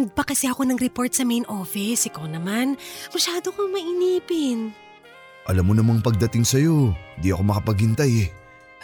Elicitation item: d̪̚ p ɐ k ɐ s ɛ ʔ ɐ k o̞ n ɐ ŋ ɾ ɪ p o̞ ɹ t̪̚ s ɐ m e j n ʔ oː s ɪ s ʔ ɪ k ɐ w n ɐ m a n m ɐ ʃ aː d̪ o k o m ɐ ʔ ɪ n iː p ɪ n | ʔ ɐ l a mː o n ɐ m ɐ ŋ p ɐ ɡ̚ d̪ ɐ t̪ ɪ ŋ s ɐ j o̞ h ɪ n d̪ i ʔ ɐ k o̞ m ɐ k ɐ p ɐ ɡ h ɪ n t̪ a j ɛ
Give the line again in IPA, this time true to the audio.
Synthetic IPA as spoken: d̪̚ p ɐ k ɐ s ɛ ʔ ɐ k o̞ n ɐ ŋ ɾ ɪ p o̞ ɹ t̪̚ s ɐ m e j n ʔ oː f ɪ s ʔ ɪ k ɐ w n ɐ m a n m ɐ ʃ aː d̪ o k o m ɐ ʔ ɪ n iː p ɪ n | ʔ ɐ l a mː o n ɐ m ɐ ŋ p ɐ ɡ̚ d̪ ɐ t̪ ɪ ŋ s ɐ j o̞ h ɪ n d̪ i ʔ ɐ k o̞ m ɐ k ɐ p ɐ ɡ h ɪ n t̪ a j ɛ